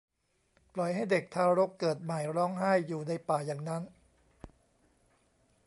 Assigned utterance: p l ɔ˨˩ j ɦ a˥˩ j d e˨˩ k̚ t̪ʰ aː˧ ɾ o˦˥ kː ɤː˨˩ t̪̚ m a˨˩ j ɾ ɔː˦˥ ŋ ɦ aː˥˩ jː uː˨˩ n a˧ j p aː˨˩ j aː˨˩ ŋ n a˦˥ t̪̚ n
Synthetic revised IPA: p l ɔ˨˩ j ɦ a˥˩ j d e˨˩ k̚ t̪ʰ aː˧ ɾ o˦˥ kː ɤː˨˩ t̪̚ m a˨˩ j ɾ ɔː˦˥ ŋ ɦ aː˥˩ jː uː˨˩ n a˧ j p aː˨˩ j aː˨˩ ŋ n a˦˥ n